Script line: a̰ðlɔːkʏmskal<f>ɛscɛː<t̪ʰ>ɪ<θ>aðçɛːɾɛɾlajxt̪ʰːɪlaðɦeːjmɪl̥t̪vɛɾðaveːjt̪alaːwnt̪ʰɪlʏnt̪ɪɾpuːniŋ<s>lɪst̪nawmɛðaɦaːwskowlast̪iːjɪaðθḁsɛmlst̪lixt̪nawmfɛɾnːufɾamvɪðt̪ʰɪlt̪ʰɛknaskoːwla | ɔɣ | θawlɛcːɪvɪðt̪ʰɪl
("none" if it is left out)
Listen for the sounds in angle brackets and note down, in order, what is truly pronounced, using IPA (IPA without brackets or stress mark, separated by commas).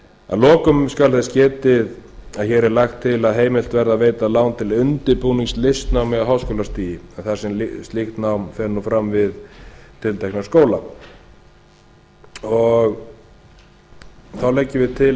θ, t̪, ð, s